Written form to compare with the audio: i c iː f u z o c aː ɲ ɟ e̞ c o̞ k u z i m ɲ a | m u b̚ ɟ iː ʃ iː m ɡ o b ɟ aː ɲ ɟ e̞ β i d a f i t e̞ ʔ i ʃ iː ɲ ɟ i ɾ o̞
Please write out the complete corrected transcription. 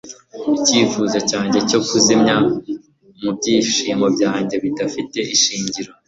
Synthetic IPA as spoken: i c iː f u z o c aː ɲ ɟ e̞ c o̞ k u z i m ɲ a | m u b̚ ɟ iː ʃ iː m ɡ o b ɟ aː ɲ ɟ e̞ β i d a f i t e̞ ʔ i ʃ iː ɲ ɟ i ɾ o̞